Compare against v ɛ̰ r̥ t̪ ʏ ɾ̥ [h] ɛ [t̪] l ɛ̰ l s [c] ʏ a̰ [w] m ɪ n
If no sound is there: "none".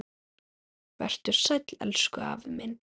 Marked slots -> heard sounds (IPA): s, t̪, k, v

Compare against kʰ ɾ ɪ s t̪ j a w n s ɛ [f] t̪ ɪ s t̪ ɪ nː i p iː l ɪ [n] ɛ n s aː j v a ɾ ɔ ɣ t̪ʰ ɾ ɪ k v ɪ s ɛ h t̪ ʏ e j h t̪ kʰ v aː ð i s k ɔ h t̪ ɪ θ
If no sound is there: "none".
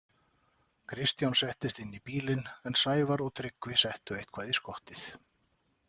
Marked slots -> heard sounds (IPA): h, n

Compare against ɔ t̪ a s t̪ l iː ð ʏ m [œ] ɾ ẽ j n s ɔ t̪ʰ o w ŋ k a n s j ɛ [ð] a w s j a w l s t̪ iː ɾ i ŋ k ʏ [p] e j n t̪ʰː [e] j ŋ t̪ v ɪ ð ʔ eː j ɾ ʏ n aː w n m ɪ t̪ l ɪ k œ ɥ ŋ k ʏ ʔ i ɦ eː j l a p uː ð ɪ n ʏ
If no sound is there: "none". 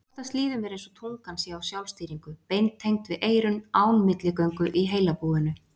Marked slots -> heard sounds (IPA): ɛ, none, p, e

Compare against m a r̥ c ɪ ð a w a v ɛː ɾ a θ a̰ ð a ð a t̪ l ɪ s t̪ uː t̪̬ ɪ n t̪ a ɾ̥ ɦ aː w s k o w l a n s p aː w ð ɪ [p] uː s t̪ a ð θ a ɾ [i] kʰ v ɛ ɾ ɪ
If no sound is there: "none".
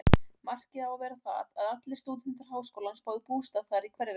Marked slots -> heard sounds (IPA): p, i

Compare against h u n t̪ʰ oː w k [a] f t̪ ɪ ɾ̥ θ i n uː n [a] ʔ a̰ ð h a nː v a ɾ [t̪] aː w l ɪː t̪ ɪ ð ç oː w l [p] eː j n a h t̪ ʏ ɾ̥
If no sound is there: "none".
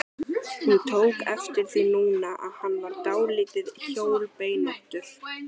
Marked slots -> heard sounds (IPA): ɛ, a, t̪, p

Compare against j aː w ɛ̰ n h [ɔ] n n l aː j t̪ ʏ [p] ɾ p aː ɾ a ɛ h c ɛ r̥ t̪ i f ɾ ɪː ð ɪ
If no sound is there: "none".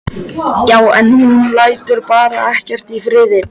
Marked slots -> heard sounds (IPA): u, none

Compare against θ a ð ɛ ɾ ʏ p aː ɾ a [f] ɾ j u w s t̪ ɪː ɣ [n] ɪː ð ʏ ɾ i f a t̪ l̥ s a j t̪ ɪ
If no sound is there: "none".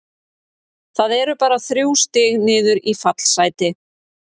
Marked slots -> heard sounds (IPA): θ, n

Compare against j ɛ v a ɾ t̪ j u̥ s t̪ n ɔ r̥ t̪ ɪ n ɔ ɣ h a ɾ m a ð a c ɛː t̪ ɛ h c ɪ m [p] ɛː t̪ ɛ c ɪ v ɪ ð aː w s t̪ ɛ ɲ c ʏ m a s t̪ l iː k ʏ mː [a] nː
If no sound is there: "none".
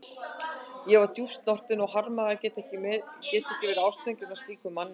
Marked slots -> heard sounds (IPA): c, a

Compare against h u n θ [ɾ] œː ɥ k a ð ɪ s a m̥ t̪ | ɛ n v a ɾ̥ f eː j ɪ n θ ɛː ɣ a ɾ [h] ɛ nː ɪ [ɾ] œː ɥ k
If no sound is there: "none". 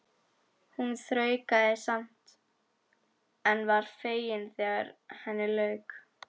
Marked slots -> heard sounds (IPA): ɾ, h, l

